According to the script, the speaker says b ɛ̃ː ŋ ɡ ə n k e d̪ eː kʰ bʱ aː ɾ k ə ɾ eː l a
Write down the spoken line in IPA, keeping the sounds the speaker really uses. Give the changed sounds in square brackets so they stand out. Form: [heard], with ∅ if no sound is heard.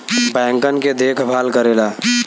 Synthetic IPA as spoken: b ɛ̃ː ŋ [k] ə n k e d̪ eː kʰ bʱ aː [l] k ə ɾ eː l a